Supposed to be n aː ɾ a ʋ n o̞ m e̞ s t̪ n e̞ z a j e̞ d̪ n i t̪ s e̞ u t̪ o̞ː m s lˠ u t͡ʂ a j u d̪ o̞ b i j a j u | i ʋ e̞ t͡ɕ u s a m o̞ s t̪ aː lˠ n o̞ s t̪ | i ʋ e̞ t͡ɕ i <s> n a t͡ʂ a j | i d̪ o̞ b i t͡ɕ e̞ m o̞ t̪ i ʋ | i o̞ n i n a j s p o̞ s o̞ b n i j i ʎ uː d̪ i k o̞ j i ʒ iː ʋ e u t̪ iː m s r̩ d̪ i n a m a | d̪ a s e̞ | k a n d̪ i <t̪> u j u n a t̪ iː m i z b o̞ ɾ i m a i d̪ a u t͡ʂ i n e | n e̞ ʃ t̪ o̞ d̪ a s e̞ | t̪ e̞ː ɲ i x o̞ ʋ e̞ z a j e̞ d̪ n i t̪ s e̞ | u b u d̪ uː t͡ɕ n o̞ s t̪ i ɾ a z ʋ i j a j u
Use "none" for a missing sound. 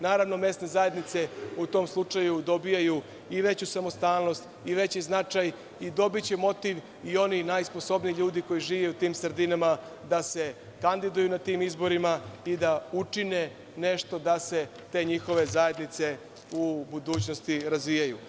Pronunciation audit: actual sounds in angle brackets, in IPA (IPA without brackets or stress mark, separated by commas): z, d̪